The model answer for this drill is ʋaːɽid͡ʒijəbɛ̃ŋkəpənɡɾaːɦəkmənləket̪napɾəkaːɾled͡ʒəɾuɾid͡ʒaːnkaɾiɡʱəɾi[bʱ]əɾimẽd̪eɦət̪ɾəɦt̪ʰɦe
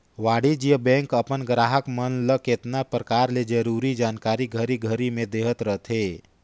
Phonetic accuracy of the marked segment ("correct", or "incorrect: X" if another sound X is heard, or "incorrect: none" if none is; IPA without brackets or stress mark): incorrect: ɡʱ